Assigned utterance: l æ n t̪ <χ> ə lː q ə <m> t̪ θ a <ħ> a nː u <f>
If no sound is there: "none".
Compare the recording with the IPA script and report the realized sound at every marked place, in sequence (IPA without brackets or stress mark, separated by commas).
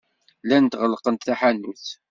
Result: ʁ, n, ħ, θ